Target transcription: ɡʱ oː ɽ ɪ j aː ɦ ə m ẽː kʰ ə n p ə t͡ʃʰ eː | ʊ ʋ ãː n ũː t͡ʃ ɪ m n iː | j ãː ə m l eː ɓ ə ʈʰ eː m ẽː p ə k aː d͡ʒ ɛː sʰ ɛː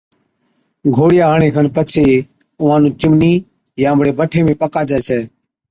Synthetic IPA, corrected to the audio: ɡʱ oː ɽ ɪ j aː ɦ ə ɳ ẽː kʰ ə n p ə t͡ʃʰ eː | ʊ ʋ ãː n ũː t͡ʃ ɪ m n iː | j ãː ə m ɽ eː b ə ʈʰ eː m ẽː p ə k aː d͡ʒ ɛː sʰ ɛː

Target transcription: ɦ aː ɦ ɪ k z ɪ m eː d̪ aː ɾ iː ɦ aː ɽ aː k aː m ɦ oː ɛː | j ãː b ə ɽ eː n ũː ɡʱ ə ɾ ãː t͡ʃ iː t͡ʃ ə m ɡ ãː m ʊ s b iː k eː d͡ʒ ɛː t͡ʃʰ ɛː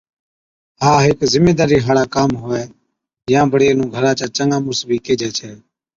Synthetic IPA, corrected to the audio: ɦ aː ɦ ɪ k z ɪ m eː d̪ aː ɾ iː ɦ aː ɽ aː k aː m ɦ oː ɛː | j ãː b ə ɽ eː n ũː ɡʱ ə ɾ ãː t͡ʃ aː t͡ʃ ə ŋ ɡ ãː m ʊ s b iː k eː d͡ʒ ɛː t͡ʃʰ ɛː

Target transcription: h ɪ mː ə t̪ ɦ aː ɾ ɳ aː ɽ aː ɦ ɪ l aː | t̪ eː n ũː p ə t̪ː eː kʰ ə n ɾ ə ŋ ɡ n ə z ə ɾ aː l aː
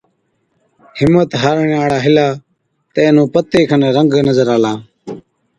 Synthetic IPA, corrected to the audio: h ɪ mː ə t̪ ɦ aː ɾ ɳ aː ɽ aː ɦ ɪ l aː | t̪ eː n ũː p ə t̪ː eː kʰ ə n ɾ ə ŋ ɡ n ə z ə ɾ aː l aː

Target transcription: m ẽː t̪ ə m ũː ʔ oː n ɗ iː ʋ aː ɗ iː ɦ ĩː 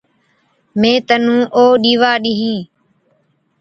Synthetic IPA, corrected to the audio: m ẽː t̪ ə n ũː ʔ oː ɗ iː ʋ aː ɗ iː ɦ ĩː

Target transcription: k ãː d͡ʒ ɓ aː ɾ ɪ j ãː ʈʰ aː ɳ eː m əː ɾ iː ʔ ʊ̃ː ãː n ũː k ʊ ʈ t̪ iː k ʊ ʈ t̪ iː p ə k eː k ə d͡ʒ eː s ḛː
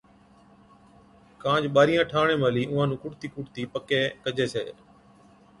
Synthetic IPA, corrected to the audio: k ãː d͡ʒ ɓ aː ɾ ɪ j ãː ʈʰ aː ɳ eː m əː l iː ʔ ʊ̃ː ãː n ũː k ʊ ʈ t̪ iː k ʊ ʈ t̪ iː p ə k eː k ə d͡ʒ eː s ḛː

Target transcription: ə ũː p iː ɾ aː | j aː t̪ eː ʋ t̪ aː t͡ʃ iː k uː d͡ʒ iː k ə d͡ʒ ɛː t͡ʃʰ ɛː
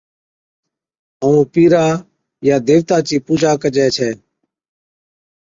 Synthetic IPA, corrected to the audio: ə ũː p iː ɾ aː | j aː d̪ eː ʋ t̪ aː t͡ʃ iː p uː d͡ʒ aː k ə d͡ʒ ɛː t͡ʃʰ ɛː

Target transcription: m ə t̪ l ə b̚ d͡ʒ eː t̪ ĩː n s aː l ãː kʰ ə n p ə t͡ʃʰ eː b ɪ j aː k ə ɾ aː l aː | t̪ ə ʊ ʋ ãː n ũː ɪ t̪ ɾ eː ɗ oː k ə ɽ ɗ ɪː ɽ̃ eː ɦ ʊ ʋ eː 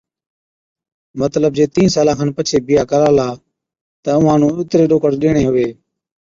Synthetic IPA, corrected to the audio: m ə t̪ l ə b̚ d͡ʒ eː t̪ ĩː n s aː l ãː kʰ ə n p ə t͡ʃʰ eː b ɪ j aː k ə ɾ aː l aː | t̪ ə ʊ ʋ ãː n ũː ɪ t̪ ɾ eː ɗ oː k ə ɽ ɗ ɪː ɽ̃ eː ɦ ʊ ʋ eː

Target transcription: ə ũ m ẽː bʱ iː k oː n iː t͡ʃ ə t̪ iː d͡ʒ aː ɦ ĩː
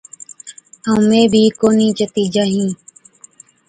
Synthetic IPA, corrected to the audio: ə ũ m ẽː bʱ iː k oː n iː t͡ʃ ə t̪ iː d͡ʒ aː ɦ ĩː

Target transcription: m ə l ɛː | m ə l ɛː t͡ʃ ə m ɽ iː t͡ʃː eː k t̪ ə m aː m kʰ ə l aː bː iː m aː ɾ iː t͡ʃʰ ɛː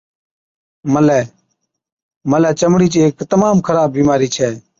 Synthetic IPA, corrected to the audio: m ə l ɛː | m ə l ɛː t͡ʃ ə m ɽ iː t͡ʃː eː k t̪ ə m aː m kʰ ə ɾ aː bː iː m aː ɾ iː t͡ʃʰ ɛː

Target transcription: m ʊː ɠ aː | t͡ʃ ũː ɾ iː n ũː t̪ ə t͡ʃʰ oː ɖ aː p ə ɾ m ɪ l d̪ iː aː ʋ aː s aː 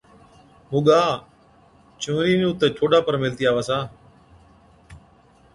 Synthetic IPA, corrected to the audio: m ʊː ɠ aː | t͡ʃ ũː ɾ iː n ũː t̪ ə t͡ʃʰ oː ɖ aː p ə ɾ m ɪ l t̪ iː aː ʋ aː s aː

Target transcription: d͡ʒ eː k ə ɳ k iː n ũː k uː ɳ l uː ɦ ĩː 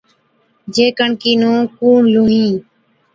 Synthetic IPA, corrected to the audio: d͡ʒ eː k ə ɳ k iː n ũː k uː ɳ l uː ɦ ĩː

